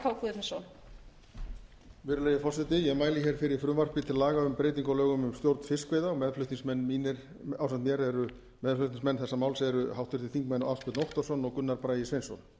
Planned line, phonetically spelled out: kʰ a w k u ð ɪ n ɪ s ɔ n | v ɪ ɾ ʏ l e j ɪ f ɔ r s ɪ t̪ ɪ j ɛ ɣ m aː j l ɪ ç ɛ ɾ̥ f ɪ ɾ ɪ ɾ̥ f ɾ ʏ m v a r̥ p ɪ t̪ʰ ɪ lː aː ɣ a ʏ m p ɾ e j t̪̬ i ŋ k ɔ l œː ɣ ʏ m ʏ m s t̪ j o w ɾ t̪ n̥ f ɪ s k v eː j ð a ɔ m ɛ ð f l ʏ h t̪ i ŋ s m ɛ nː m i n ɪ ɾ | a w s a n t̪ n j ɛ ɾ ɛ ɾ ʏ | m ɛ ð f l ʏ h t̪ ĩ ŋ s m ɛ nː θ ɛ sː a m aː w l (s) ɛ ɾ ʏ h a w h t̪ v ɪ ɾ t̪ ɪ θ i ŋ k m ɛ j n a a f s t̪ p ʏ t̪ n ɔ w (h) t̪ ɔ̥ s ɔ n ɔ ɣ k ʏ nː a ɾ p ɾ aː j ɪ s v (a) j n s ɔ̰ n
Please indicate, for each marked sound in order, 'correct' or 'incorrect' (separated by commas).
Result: correct, correct, incorrect